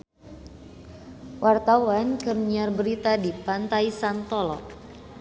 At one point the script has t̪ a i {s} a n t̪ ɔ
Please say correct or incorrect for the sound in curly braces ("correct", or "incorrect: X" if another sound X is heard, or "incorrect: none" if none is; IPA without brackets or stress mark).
correct